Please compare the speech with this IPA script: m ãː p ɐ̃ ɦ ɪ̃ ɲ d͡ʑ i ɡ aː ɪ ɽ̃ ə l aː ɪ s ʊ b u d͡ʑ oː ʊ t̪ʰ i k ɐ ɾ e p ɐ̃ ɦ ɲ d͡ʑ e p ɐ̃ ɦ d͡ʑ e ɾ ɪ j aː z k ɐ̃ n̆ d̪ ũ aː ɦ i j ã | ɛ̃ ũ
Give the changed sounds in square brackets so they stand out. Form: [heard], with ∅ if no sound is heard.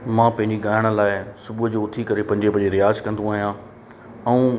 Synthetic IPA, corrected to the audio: m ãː p ɐ̃ ɦ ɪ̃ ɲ d͡ʑ i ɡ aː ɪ ɽ̃ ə l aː ɪ s ʊ b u d͡ʑ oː ʊ t̪ʰ i k ɐ ɾ e p ɐ̃ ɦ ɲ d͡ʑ e p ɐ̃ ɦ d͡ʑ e ɾ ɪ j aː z k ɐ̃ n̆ d̪ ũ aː ɦ i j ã | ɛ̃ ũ